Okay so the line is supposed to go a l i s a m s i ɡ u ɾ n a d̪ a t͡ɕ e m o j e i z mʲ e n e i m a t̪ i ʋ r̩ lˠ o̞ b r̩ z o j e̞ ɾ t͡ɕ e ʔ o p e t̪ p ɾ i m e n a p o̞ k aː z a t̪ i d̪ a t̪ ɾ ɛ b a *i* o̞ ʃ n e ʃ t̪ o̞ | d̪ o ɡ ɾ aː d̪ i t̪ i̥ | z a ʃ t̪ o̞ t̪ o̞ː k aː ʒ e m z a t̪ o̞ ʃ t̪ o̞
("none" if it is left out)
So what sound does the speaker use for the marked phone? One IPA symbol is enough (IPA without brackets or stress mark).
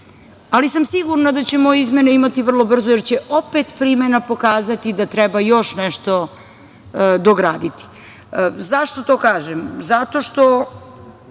j